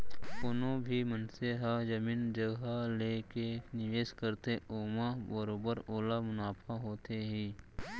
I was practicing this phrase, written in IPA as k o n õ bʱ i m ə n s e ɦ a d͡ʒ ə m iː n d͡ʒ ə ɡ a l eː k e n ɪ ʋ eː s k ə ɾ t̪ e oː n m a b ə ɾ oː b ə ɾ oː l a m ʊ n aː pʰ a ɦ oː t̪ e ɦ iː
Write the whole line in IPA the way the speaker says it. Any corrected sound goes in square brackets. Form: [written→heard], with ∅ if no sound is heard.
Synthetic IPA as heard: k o n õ bʱ i m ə n s e ɦ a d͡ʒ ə m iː n d͡ʒ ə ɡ a l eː k e n ɪ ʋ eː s k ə ɾ t̪ e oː [n→∅] m a b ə ɾ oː b ə ɾ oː l a m ʊ n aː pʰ a ɦ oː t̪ e ɦ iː